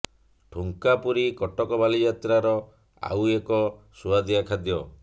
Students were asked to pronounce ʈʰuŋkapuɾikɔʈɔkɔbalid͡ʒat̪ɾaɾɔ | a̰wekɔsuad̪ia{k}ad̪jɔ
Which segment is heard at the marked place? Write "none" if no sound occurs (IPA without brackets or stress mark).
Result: kʰ